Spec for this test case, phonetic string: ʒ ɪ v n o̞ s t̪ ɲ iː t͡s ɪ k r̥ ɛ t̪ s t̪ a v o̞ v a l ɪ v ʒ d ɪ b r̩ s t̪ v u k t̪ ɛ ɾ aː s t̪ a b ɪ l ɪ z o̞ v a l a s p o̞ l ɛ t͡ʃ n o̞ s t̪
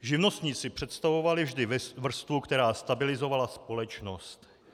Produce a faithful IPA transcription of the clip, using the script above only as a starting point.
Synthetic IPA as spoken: ʒ ɪ v n o̞ s t̪ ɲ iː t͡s ɪ p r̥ ɛ t̪ s t̪ a v o̞ v a l ɪ v ʒ d ɪ v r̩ s t̪ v u k t̪ ɛ ɾ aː s t̪ a b ɪ l ɪ z o̞ v a l a s p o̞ l ɛ t͡ʃ n o̞ s t̪